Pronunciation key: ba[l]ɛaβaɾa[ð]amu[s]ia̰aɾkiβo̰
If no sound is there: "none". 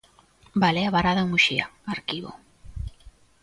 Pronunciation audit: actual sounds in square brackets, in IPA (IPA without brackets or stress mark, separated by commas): l, ð, ʃ